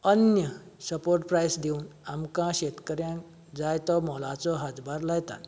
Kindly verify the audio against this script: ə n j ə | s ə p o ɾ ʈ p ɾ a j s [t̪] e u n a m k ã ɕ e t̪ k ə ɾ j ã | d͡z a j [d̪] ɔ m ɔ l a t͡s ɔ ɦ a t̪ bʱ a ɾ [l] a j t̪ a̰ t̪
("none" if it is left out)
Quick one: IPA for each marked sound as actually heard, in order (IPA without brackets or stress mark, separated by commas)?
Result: d̪, t̪, l